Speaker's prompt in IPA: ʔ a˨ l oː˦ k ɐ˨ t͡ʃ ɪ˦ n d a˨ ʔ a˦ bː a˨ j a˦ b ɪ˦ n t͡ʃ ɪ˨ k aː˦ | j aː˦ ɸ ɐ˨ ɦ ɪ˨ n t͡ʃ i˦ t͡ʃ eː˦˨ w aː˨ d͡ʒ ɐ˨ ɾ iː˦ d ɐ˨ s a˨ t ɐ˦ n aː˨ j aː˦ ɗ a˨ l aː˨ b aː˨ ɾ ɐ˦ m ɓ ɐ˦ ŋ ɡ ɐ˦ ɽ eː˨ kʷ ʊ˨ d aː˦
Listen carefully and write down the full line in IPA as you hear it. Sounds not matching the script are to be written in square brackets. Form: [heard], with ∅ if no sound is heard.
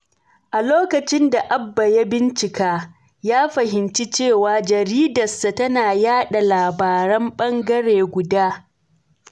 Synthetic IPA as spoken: ʔ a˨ l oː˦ k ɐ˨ t͡ʃ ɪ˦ n d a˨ ʔ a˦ bː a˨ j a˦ b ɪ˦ n t͡ʃ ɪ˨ k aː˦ | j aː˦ ɸ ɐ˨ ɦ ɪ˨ n t͡ʃ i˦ t͡ʃ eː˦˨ w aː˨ d͡ʒ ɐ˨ ɾ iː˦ d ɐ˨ s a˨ t ɐ˦ n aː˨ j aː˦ ɗ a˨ l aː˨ b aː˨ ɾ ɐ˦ m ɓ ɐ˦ ŋ ɡ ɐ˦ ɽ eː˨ [ɡʷ] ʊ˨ d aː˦

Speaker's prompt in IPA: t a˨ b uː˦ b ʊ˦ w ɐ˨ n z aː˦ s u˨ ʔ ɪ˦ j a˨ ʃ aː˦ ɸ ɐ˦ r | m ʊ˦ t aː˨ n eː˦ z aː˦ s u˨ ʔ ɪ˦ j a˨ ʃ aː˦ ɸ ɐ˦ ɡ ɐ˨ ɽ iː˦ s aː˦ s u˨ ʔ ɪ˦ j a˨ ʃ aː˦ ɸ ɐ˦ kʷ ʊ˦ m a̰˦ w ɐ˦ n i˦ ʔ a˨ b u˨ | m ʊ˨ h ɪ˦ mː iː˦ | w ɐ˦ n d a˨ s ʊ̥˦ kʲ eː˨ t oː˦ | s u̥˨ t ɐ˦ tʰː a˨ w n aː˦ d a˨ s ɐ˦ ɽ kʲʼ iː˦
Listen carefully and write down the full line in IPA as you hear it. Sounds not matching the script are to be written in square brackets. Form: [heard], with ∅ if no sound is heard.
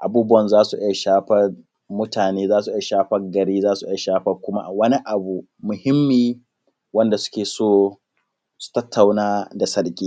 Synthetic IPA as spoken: [ʔ] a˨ b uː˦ b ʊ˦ w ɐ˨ n z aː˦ s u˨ ʔ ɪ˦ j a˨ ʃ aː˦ ɸ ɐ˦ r | m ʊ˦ t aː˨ n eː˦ z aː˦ s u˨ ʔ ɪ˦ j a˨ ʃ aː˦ ɸ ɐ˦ ɡ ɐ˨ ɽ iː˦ [z] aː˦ s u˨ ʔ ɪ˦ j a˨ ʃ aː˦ ɸ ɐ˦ kʷ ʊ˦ m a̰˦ w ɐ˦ n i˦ ʔ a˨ b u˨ | m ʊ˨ h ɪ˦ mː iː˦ | w ɐ˦ n d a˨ s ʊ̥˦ kʲ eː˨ [s] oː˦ | s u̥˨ t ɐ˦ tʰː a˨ w n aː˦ d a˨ s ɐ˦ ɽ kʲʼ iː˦

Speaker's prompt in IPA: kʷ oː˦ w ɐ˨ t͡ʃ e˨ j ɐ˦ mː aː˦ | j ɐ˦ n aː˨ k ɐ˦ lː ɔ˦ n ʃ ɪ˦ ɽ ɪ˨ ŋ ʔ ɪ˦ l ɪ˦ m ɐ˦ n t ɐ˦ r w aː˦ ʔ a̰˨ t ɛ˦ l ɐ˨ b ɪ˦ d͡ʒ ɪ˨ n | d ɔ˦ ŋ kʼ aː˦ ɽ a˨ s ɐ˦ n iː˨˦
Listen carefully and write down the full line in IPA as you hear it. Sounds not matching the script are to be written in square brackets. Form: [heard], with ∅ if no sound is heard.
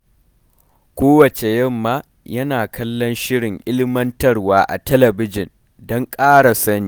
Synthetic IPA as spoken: kʷ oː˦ w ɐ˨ t͡ʃ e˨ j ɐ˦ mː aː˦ | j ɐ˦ n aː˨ k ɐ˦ lː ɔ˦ n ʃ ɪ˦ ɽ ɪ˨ ŋ ʔ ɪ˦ l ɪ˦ m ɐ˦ n t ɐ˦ r w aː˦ ʔ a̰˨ t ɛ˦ l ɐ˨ b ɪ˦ d͡ʒ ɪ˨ n | d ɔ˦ ŋ kʼ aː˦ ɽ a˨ s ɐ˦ n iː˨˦

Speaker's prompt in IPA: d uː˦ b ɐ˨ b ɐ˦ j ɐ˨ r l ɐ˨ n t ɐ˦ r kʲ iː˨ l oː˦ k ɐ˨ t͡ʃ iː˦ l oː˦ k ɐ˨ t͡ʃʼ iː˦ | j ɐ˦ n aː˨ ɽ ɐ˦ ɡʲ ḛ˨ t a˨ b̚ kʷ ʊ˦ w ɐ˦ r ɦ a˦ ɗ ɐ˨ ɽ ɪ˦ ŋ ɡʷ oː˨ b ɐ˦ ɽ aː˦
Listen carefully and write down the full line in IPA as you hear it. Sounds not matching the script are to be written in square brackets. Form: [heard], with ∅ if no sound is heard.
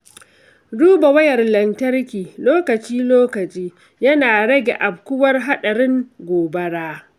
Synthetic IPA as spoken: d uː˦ b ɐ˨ [w] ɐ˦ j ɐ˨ r l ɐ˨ n t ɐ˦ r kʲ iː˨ l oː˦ k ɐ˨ t͡ʃ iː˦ l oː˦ k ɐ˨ t͡ʃʼ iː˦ | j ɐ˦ n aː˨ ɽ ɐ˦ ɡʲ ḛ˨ [ʔ] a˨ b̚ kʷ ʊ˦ w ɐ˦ r ɦ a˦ ɗ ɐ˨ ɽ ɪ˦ ŋ ɡʷ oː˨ b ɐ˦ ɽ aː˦

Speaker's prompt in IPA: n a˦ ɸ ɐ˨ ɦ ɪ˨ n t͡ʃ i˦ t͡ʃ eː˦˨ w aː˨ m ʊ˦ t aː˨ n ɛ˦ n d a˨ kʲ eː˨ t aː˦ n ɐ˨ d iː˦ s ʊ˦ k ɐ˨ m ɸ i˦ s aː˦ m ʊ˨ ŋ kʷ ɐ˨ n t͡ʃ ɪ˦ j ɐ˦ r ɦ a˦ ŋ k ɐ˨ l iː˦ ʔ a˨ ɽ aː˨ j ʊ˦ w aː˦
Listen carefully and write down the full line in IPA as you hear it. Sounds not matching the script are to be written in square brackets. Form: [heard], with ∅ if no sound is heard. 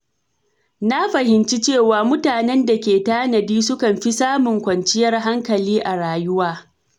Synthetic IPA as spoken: n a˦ ɸ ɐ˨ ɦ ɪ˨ n t͡ʃ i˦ t͡ʃ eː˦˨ w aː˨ m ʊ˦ t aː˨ n ɛ˦ n d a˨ kʲ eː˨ t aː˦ n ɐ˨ d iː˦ s ʊ˦ k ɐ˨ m ɸ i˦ s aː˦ m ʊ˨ ŋ kʷ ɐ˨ n t͡ʃ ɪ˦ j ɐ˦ r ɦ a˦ ŋ k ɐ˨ l iː˦ ʔ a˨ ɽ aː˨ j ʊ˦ w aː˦

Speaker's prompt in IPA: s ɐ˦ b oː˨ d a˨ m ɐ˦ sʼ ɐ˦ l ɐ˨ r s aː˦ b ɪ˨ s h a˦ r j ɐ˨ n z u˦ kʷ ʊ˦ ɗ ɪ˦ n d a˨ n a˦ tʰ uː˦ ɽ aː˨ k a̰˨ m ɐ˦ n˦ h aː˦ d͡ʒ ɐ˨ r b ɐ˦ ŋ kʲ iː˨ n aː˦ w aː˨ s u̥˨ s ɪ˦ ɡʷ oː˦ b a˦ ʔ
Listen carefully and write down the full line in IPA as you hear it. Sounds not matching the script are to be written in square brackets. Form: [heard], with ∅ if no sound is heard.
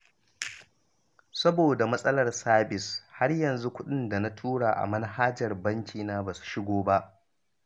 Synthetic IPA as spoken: s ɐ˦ b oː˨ d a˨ m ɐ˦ sʼ ɐ˦ l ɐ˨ r s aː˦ b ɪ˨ s h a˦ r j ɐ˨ n z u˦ kʷ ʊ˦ ɗ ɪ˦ n d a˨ n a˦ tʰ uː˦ ɽ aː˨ [ʔ] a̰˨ m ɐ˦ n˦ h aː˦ d͡ʒ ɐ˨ r b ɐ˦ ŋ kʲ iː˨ n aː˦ [b] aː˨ s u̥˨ [ʃ] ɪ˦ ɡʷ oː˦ b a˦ ʔ

